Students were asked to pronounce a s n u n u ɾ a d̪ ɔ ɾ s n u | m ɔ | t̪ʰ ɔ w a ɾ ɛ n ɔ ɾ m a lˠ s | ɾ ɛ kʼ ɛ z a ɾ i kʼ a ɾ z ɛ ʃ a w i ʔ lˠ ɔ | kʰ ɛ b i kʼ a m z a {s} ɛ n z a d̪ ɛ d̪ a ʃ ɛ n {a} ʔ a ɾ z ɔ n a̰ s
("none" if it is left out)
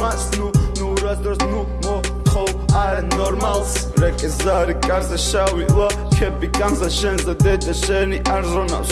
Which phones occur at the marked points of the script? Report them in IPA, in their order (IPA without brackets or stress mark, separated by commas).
ʃ, i